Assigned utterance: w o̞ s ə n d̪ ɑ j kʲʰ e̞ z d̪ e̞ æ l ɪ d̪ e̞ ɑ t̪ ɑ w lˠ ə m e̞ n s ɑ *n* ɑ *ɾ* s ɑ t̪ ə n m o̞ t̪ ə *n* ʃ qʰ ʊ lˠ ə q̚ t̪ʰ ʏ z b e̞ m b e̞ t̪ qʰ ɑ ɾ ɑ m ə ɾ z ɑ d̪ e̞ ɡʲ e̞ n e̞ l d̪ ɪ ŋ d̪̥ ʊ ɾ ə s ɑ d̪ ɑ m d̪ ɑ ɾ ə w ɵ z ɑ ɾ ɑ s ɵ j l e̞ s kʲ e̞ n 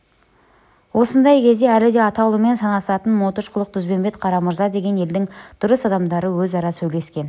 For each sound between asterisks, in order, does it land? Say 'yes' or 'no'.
yes, no, no

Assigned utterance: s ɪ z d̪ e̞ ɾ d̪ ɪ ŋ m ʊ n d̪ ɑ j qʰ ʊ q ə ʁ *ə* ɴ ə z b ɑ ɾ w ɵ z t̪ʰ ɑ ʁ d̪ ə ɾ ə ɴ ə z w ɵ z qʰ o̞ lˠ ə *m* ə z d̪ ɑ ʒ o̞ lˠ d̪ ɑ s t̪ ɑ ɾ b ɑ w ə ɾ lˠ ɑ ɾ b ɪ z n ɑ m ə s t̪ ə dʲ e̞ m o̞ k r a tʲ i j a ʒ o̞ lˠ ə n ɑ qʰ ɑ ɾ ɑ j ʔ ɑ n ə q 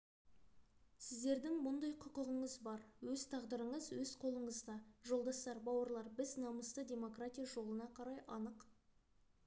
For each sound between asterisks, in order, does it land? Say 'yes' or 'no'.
yes, no

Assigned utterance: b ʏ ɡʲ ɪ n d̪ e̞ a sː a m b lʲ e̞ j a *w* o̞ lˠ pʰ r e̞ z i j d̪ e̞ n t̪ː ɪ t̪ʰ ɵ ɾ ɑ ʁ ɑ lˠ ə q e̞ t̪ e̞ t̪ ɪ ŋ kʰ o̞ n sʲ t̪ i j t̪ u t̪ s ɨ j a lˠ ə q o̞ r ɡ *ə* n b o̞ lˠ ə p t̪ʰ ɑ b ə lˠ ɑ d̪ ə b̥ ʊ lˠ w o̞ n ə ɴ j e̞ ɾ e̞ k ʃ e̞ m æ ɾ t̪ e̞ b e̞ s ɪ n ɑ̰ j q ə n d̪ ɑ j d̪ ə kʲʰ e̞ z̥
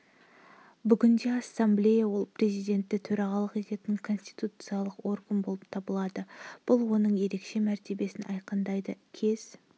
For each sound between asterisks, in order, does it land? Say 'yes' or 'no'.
yes, yes

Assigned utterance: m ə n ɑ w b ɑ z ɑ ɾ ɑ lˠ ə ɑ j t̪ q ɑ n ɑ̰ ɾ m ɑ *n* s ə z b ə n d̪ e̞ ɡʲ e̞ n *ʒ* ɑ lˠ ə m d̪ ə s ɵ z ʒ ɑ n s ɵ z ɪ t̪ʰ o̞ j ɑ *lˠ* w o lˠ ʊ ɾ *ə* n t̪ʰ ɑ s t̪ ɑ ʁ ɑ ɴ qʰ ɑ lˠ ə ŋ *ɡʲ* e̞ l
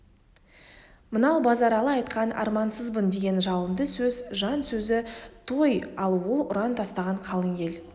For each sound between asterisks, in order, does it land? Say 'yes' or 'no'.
yes, yes, yes, no, yes

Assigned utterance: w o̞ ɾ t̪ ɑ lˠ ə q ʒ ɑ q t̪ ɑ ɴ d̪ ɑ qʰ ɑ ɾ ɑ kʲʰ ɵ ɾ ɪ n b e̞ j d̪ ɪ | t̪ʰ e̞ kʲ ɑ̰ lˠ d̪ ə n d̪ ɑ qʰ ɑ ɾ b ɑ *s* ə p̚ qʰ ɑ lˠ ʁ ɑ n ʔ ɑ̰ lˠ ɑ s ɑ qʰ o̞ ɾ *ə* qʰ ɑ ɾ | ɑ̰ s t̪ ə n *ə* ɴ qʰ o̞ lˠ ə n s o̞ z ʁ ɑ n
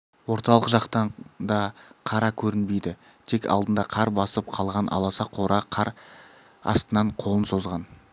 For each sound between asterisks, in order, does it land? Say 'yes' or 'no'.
yes, no, no

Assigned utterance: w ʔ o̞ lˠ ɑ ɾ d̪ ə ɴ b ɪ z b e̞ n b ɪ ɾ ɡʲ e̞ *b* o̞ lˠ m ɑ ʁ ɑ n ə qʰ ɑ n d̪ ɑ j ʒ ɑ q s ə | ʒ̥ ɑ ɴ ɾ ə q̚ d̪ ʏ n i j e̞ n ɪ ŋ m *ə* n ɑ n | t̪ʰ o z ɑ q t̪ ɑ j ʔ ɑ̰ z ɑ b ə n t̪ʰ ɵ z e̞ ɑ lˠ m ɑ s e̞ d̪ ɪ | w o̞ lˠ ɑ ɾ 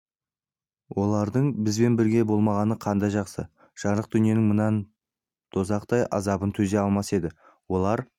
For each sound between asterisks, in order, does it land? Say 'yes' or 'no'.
yes, yes

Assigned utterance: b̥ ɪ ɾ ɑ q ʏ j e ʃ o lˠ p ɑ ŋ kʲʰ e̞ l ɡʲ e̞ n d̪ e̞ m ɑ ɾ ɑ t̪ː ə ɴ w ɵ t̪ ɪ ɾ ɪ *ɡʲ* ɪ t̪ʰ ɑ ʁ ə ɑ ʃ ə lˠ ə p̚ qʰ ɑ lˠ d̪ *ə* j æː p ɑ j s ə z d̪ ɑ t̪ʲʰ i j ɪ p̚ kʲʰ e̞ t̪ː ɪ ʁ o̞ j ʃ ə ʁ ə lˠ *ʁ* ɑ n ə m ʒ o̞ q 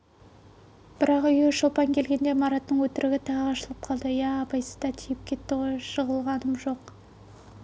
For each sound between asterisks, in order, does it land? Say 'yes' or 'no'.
yes, yes, yes

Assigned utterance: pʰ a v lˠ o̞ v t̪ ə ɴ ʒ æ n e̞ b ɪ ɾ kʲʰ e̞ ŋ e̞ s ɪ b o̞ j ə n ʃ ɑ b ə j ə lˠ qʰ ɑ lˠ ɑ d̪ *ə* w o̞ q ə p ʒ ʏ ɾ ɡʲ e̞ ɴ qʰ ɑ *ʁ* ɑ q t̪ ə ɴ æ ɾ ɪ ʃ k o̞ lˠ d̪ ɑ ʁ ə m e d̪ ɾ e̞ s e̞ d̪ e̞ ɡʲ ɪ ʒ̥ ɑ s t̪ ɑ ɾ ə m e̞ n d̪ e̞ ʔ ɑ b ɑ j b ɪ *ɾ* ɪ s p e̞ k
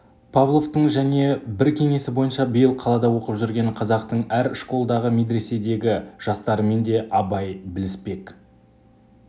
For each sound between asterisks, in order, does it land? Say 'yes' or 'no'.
no, no, no

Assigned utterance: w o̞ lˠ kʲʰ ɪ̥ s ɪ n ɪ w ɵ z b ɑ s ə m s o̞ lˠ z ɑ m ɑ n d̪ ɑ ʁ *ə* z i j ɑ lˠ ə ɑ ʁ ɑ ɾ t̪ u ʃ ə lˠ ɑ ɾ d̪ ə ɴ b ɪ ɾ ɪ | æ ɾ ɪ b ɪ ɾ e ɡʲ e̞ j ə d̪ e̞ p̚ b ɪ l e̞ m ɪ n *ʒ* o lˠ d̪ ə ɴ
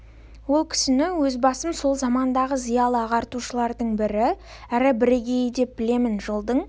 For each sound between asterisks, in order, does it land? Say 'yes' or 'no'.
yes, yes

